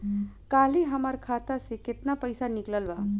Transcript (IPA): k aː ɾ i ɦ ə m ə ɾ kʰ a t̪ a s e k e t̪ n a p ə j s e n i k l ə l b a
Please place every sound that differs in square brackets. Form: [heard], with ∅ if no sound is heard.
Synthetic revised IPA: k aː [l] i ɦ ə m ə ɾ kʰ a t̪ a s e k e t̪ n a p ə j s [a] n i k l ə l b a